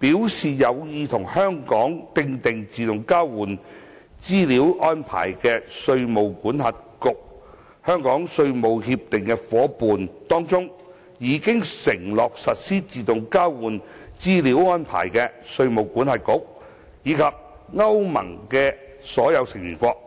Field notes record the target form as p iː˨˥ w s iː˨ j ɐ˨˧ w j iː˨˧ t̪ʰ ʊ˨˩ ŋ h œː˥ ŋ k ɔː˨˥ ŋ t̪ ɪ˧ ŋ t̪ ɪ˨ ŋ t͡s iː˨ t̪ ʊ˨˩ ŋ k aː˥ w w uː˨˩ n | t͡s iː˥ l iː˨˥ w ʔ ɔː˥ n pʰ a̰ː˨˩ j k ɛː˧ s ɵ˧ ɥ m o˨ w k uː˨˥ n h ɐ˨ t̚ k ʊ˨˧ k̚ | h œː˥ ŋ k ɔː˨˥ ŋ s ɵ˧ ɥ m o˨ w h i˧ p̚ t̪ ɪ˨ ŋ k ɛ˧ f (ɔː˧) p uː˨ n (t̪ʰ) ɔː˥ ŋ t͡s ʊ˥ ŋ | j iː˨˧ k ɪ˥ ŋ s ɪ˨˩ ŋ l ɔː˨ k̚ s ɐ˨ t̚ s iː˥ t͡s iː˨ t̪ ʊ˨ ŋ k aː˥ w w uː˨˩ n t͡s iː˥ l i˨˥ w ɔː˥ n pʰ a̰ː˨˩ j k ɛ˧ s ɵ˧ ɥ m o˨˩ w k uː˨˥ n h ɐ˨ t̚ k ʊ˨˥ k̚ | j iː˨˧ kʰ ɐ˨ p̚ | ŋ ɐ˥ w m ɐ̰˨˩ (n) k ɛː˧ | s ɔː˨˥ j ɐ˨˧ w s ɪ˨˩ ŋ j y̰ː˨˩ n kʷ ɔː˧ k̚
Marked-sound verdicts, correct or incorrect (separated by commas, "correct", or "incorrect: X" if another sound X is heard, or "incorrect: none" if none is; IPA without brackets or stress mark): incorrect: ɔː˨˥, incorrect: t̪, incorrect: ŋ